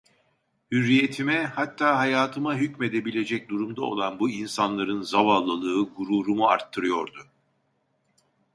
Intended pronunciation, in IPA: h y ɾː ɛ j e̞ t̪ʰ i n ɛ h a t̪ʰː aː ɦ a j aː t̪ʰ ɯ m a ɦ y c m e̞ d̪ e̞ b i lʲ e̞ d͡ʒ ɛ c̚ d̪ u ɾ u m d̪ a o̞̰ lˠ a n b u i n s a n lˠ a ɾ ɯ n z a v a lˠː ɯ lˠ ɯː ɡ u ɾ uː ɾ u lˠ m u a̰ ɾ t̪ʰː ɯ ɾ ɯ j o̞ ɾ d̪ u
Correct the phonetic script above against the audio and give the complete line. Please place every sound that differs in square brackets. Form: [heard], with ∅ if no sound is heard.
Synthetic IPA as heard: h y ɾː [i] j e̞ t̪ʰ i [m] ɛ h a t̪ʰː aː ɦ a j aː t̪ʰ ɯ m a ɦ y c m e̞ d̪ e̞ b i lʲ e̞ d͡ʒ ɛ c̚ d̪ u ɾ u m d̪ a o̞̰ lˠ a n b u i n s a n lˠ a ɾ ɯ n z a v a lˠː ɯ lˠ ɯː ɡ u ɾ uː ɾ u [∅] m u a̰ ɾ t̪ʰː ɯ ɾ ɯ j o̞ ɾ d̪ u

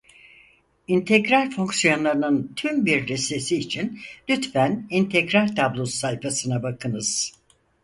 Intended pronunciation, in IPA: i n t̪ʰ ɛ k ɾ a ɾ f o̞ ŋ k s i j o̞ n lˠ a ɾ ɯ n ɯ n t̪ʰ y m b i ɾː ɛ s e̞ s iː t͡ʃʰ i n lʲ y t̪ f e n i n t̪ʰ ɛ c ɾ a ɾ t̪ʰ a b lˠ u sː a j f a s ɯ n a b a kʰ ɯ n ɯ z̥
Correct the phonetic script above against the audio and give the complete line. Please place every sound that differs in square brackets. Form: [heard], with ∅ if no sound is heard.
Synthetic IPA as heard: i n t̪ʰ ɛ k ɾ a ɾ f o̞ ŋ k s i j o̞ n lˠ a ɾ ɯ n ɯ n t̪ʰ y m b i ɾː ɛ s e̞ s iː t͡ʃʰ i n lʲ y t̪ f [æ] n i n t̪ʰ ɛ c ɾ a ɾ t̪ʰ a b lˠ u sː a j f a s ɯ n a b a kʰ ɯ n ɯ z̥

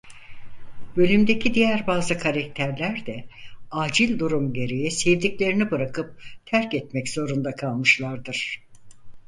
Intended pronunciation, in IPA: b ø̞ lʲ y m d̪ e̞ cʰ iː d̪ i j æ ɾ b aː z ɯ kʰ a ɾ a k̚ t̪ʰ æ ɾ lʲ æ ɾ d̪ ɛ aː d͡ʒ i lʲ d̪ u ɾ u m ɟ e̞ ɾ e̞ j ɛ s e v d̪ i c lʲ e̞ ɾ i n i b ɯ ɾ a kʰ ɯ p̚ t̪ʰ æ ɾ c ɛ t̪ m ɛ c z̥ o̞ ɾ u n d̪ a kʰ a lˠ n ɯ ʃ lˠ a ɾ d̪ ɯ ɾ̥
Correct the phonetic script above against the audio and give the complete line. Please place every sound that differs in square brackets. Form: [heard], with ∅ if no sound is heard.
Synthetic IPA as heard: b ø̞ lʲ y m d̪ e̞ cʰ [i] d̪ i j æ ɾ b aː z ɯ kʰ a ɾ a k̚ t̪ʰ æ ɾ lʲ æ ɾ d̪ ɛ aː d͡ʒ i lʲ d̪ u ɾ u m ɟ e̞ ɾ e̞ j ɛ s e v d̪ i c lʲ e̞ ɾ i n i b ɯ ɾ a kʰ ɯ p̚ t̪ʰ æ ɾ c ɛ t̪ m ɛ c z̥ o̞ ɾ u n d̪ a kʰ a lˠ [m] ɯ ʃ lˠ a ɾ d̪ ɯ ɾ̥

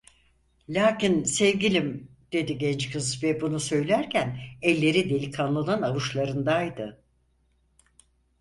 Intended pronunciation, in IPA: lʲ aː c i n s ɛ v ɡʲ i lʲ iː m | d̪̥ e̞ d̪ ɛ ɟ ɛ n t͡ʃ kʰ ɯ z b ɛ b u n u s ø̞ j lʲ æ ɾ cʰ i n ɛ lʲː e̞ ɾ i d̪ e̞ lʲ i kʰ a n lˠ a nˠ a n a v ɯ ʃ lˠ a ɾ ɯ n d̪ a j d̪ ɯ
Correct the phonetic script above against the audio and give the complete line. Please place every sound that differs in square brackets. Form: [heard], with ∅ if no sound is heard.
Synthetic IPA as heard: lʲ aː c i n s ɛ v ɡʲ i lʲ [i] m | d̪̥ e̞ d̪ [i] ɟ ɛ n t͡ʃ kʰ ɯ z [v] ɛ b u n u s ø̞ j lʲ æ ɾ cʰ [æ] n ɛ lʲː e̞ ɾ i d̪ e̞ lʲ i kʰ a n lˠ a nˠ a n a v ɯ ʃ lˠ a ɾ ɯ n d̪ a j d̪ ɯ

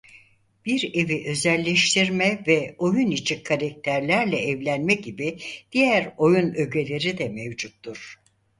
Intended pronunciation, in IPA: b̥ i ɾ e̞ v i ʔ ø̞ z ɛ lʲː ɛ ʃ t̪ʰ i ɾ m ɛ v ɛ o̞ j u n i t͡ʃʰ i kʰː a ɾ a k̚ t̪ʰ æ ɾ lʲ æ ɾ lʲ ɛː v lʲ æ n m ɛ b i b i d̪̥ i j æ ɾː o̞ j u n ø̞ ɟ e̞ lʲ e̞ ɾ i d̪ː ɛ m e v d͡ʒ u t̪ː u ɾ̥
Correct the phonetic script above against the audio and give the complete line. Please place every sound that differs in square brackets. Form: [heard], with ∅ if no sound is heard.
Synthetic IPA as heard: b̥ i ɾ e̞ v i ʔ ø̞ z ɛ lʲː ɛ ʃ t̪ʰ i ɾ m ɛ v ɛ o̞ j u n i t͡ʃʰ i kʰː a ɾ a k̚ t̪ʰ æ ɾ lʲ æ ɾ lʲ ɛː v lʲ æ n m ɛ [ɟ] i b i d̪̥ i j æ [ɾ] o̞ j u n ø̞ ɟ e̞ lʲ e̞ ɾ i [d̪] ɛ m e v d͡ʒ u t̪ː u ɾ̥

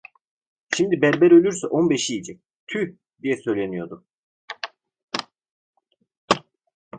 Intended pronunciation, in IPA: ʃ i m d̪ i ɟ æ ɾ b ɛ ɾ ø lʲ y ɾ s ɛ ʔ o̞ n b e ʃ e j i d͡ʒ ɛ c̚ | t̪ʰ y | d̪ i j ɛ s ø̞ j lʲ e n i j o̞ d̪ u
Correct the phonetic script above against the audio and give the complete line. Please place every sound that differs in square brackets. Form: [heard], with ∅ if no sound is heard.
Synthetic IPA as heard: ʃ i m d̪ i [b] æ ɾ b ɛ ɾ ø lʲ y ɾ s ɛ ʔ o̞ n b e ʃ [i] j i d͡ʒ ɛ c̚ | t̪ʰ y | d̪ i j ɛ s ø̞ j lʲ e n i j o̞ d̪ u

